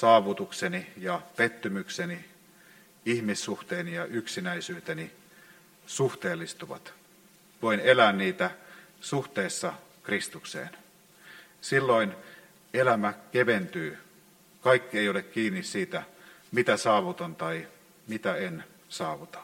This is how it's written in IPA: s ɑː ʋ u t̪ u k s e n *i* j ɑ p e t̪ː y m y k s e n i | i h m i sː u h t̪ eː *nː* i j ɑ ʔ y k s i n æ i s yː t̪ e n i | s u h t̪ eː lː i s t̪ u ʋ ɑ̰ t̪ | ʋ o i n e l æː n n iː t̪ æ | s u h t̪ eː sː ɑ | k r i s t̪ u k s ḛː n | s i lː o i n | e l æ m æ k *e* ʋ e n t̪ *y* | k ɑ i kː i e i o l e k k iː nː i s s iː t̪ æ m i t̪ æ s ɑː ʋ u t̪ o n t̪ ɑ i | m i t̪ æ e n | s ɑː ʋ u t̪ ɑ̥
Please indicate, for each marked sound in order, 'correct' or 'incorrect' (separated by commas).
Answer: correct, incorrect, correct, incorrect